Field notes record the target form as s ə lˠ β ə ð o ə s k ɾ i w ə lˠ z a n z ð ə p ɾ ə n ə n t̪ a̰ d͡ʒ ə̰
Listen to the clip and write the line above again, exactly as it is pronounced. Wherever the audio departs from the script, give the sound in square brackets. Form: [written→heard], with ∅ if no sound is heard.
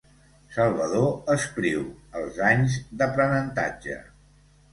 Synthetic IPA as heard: s ə lˠ β ə ð o ə s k ɾ i w ə lˠ z a [n→ɲ] z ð ə p ɾ ə n ə n t̪ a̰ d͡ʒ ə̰